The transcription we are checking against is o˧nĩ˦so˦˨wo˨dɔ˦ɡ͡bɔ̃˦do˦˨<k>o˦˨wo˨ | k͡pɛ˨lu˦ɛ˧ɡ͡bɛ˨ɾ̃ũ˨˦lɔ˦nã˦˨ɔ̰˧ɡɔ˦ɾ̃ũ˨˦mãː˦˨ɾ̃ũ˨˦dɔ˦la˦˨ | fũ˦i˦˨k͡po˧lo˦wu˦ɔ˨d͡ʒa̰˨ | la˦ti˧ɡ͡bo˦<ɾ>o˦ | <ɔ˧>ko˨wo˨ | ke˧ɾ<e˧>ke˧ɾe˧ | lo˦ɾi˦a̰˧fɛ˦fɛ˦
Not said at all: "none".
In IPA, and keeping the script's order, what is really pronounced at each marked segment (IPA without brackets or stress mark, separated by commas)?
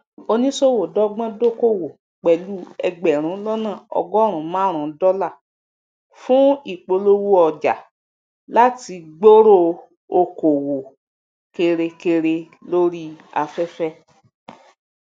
k, ɾ, o˧, e˧